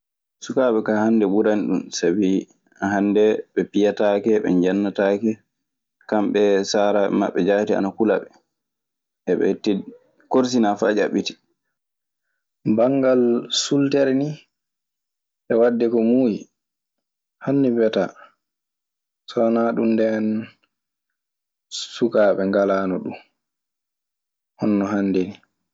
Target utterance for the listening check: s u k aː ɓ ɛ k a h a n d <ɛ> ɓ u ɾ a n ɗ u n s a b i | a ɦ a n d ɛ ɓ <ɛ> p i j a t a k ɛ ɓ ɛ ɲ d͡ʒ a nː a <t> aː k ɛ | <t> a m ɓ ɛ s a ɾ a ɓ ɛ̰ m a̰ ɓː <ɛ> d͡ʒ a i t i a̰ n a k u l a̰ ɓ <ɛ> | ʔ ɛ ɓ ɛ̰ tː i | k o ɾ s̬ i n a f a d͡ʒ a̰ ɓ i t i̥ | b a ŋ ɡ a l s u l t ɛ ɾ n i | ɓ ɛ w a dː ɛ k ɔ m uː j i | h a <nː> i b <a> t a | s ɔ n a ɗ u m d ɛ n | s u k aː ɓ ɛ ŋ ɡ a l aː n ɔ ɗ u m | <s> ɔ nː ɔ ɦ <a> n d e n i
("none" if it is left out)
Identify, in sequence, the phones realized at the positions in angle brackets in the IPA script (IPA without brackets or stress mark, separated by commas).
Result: ɛ, ɛ, t, k, ɛ, ɛ, nː, ɛ, h, a